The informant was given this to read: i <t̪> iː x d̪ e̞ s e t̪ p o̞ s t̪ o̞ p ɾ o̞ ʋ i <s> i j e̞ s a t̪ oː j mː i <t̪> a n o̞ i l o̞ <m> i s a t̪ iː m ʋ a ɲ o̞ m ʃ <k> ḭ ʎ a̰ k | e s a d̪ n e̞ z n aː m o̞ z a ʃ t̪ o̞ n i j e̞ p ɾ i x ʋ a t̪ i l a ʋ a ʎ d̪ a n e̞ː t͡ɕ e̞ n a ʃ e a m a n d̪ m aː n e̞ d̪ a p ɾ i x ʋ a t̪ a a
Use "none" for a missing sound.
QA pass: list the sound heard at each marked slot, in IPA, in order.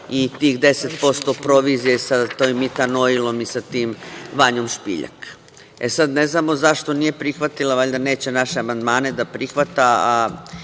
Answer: t̪, z, t̪, m, p

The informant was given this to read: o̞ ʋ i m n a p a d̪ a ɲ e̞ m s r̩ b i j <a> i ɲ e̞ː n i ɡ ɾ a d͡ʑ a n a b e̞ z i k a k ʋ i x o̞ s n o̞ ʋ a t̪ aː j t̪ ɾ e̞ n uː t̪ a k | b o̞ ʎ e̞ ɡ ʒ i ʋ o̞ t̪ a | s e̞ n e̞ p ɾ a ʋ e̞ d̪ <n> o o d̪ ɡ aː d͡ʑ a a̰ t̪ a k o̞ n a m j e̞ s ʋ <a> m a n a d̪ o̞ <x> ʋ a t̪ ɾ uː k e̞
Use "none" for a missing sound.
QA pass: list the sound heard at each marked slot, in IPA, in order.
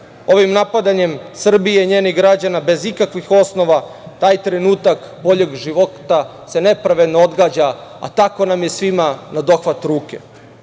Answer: e, n, i, x

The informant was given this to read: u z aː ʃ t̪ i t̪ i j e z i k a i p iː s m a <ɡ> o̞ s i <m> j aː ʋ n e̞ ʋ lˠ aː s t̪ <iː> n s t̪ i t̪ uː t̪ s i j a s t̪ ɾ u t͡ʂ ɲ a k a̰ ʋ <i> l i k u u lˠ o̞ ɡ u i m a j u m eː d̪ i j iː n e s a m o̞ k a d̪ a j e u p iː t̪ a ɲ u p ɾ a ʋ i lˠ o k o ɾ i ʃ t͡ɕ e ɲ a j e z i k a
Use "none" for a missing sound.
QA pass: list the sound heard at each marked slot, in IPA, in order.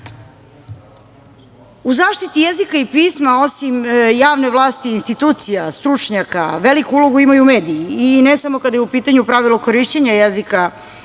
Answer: none, m, iː, e

